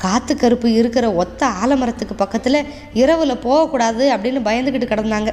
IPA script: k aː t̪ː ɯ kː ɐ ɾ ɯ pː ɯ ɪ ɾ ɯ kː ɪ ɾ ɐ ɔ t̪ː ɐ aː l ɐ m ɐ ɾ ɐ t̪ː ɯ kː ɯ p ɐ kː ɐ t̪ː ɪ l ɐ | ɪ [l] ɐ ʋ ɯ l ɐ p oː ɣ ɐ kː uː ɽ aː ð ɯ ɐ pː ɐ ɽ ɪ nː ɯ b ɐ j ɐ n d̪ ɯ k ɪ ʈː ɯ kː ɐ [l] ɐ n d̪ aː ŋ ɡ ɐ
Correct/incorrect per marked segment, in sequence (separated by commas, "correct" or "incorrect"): incorrect, incorrect